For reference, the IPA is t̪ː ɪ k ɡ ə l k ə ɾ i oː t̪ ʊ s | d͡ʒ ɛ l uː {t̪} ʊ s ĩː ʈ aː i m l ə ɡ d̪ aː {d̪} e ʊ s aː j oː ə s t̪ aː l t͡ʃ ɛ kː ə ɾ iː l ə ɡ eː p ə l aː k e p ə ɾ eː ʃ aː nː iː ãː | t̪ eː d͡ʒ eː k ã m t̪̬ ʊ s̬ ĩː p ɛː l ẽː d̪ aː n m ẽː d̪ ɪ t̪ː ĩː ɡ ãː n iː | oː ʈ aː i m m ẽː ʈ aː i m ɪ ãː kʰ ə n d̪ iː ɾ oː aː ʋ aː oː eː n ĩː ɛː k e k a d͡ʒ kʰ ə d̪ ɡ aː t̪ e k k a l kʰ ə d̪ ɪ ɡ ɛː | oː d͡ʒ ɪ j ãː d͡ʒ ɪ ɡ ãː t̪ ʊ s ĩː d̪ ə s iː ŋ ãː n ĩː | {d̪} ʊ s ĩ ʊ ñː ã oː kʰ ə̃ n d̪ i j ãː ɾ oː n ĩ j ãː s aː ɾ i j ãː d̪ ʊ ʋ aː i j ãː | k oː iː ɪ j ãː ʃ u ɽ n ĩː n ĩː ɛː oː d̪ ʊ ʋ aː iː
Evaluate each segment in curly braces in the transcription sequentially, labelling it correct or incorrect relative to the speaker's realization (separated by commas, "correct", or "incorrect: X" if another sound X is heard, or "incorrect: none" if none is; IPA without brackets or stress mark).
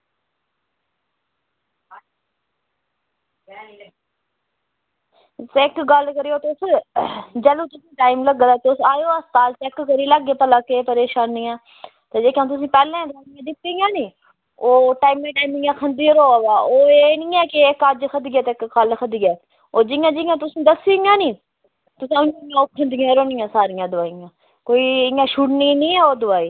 correct, incorrect: t̪, incorrect: t̪